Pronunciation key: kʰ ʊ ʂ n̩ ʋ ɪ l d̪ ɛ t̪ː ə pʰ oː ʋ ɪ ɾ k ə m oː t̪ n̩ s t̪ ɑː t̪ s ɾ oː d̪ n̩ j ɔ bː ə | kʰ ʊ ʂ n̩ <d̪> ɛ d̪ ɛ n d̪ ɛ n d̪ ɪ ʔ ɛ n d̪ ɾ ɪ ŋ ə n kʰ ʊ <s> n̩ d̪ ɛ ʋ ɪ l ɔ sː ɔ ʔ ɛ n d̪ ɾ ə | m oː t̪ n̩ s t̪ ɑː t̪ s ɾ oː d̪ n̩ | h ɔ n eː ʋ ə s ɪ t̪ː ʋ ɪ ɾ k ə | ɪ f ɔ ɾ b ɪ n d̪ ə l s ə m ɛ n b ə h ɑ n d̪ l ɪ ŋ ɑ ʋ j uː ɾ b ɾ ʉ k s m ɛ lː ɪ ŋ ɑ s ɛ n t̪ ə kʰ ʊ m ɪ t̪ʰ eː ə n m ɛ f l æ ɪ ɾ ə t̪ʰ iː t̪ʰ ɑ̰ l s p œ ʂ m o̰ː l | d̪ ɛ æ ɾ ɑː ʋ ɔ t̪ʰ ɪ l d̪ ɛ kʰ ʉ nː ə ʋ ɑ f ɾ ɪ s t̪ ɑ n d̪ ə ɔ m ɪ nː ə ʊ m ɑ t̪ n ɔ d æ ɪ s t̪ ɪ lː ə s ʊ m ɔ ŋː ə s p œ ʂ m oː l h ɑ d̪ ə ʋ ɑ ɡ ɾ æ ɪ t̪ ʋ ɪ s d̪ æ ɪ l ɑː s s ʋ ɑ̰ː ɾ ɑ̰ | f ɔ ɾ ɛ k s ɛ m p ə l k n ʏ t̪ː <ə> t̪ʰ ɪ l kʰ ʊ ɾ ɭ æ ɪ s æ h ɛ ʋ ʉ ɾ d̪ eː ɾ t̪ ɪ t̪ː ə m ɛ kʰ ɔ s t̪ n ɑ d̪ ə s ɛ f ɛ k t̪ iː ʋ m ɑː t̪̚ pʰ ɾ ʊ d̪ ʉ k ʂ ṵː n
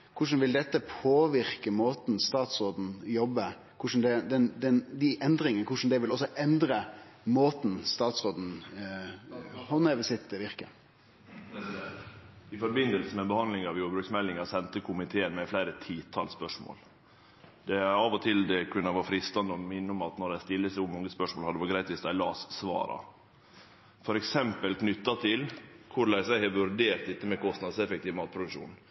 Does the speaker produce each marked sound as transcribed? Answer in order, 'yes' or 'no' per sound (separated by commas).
yes, no, no